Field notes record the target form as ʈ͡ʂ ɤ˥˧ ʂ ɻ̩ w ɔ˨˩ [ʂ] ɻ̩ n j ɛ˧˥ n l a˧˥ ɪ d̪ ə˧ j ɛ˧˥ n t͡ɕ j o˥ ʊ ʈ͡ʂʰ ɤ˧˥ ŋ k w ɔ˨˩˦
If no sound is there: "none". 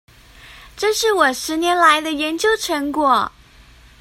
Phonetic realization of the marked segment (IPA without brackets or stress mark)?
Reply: ʂ